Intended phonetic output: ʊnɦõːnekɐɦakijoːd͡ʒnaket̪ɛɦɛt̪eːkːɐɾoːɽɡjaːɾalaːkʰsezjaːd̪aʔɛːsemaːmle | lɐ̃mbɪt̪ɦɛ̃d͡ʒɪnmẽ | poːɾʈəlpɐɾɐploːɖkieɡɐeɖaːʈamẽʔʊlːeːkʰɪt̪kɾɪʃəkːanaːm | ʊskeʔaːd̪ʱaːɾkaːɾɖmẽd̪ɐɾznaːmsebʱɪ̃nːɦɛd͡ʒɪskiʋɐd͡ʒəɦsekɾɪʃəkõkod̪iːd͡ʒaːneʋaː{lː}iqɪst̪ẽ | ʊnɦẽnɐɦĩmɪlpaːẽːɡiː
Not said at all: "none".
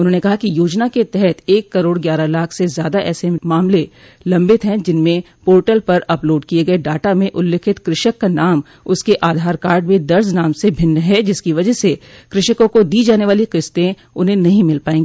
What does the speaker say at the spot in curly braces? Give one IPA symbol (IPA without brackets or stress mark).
l